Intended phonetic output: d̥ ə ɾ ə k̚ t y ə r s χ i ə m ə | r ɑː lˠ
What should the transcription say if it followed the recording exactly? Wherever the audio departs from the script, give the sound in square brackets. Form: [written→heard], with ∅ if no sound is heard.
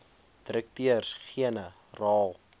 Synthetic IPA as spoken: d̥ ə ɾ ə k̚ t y ə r s χ i ə [m→n] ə | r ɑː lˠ